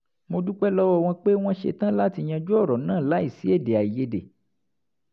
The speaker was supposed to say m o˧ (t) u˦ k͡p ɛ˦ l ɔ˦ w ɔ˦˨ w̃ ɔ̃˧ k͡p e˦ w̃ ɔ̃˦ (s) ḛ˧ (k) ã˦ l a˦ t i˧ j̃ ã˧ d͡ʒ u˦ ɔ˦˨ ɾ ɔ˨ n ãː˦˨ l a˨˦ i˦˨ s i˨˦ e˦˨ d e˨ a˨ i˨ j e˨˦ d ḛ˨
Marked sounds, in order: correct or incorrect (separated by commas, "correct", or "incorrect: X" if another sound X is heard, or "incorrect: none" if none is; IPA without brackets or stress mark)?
incorrect: d, incorrect: ʃ, incorrect: t